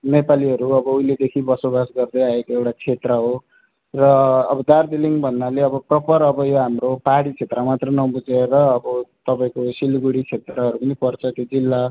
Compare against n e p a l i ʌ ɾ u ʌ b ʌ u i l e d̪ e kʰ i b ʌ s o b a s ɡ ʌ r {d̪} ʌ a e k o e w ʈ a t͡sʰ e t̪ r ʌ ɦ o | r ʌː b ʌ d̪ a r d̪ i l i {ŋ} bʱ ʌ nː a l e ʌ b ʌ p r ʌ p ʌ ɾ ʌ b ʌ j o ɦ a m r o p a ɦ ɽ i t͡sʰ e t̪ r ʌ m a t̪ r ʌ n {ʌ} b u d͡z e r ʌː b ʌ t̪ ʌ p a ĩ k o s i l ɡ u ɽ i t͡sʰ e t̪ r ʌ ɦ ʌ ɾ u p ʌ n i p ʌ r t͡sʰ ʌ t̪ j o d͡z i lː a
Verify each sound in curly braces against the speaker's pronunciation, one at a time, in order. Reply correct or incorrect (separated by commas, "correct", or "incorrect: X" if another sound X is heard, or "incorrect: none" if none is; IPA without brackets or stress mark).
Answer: correct, correct, correct